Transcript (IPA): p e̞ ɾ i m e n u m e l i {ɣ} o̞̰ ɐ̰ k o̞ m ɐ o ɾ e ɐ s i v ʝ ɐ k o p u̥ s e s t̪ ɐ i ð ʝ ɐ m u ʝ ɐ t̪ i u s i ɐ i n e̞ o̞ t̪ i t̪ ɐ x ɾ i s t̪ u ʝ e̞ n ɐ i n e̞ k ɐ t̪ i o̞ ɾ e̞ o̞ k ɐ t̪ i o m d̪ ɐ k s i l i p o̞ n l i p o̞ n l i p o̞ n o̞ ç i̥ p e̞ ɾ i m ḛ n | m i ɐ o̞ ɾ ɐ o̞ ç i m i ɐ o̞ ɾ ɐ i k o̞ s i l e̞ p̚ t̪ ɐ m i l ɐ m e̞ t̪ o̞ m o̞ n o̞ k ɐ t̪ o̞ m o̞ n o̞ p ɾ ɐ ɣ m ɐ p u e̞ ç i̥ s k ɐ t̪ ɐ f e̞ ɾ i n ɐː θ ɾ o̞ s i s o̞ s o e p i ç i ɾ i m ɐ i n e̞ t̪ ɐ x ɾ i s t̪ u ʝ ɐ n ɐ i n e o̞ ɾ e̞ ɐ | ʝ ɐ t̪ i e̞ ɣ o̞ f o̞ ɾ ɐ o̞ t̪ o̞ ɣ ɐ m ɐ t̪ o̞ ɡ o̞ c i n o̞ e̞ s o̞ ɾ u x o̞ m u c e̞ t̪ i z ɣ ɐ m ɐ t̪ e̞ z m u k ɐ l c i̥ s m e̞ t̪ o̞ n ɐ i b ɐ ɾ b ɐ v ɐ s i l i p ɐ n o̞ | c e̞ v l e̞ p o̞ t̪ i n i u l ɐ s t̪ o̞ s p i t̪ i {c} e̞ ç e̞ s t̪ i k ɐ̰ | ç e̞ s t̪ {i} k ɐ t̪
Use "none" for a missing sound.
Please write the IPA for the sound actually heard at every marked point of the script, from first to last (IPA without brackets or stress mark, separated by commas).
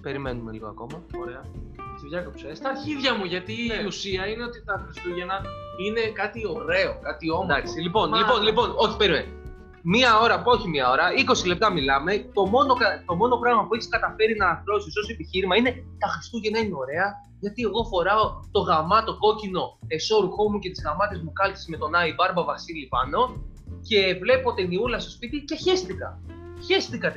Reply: ɣ, c, i